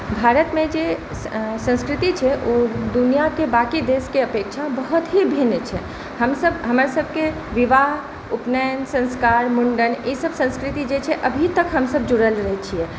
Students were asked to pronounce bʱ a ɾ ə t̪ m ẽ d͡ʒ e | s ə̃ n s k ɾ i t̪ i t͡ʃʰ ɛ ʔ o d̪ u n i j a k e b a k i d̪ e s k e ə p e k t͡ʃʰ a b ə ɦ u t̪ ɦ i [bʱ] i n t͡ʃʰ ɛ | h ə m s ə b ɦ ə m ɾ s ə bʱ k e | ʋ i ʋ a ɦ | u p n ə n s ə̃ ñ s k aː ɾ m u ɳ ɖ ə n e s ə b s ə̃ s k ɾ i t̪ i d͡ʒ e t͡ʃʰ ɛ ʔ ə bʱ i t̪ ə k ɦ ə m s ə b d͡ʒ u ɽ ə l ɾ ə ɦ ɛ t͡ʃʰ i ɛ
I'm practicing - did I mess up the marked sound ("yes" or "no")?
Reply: no